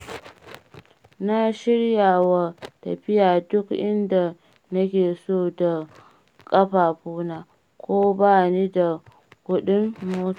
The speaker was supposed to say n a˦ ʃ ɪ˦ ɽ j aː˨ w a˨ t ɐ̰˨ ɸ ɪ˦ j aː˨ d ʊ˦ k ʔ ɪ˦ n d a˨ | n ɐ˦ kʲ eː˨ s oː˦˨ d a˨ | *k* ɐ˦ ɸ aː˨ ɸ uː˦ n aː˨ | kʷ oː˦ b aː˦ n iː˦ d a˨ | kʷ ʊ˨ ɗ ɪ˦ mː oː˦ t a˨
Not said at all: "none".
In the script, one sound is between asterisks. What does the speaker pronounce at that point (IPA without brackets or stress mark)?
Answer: kʼ